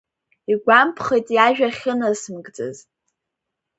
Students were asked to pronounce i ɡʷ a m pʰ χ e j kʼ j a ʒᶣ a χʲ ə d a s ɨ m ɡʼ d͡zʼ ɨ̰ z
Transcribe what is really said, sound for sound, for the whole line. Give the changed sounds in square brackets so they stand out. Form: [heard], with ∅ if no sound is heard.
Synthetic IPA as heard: i ɡʷ a m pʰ χ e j [tʼ] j a ʒᶣ a χʲ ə [n] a s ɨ m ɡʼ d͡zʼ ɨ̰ z